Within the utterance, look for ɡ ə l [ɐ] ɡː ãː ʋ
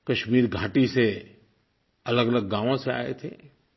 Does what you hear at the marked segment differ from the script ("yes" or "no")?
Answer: yes